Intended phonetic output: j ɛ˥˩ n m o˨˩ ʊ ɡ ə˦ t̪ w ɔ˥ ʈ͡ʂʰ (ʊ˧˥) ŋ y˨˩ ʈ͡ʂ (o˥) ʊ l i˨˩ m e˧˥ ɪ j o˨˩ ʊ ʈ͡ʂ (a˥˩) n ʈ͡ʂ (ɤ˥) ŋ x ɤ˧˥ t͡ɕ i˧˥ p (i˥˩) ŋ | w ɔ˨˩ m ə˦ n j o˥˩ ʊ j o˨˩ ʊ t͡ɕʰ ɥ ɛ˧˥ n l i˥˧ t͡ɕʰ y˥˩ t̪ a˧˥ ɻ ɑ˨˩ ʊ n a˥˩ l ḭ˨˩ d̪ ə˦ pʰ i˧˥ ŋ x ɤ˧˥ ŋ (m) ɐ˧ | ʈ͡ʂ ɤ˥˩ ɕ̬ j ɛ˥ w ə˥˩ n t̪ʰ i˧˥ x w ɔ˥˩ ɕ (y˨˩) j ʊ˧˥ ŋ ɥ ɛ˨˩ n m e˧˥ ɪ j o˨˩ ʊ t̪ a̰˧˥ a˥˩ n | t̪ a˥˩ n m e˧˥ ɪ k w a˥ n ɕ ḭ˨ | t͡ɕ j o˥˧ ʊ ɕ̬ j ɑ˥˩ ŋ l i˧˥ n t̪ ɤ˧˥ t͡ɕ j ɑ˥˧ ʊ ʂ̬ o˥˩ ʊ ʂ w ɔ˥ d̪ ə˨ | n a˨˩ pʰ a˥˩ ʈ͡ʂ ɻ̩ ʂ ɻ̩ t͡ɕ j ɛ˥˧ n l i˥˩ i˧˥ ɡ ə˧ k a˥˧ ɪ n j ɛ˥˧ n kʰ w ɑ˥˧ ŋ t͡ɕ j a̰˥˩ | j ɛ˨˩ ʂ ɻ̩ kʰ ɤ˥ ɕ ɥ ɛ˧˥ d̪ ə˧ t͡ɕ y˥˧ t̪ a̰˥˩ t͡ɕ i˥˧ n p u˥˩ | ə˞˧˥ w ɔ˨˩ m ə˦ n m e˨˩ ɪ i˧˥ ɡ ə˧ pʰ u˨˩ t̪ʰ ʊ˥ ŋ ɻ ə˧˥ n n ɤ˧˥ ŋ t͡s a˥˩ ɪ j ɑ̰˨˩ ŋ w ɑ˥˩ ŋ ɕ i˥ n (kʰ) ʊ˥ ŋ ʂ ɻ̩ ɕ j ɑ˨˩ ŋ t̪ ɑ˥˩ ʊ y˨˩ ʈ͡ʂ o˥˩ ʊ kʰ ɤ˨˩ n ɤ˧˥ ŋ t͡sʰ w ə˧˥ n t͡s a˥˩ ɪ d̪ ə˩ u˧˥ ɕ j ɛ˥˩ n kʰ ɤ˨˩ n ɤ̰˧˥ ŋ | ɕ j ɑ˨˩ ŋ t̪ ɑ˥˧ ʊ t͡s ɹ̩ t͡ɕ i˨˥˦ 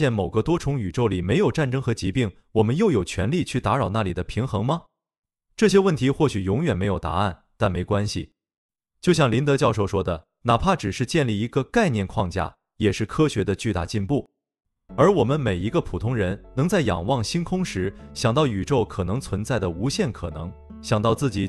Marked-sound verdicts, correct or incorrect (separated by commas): correct, incorrect, correct, correct, correct, correct, correct, correct